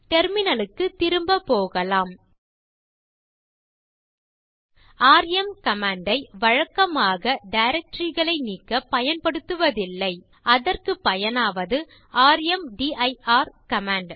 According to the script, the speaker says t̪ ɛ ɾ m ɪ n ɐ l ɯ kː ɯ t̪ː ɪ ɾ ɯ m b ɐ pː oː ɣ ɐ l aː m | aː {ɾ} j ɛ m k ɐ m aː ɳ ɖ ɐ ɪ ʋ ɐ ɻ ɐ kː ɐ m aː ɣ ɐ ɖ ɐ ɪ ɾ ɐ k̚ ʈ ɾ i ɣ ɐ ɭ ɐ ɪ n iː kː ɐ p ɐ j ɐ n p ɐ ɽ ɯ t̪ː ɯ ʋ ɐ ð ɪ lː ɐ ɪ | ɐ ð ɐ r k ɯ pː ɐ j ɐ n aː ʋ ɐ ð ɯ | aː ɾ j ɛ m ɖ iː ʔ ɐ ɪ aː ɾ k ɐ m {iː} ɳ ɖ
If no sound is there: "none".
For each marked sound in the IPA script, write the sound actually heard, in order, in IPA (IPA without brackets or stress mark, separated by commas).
ɾ, aː